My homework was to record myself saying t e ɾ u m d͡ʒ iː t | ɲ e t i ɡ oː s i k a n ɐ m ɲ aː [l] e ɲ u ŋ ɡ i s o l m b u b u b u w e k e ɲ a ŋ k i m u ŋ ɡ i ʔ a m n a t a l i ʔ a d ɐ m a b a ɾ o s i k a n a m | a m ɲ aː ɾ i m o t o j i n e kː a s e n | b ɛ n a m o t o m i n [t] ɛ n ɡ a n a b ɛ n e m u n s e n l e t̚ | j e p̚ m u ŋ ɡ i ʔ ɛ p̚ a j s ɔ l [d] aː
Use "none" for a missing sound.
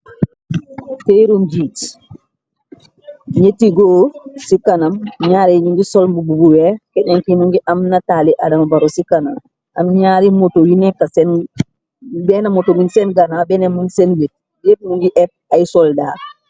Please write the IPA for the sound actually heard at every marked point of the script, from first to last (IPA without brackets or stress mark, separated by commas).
ɾ, s, d